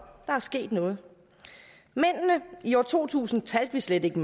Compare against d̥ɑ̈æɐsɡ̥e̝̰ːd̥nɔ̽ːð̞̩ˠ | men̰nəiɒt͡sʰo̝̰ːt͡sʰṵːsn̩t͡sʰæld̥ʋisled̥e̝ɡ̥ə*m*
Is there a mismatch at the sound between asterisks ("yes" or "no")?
no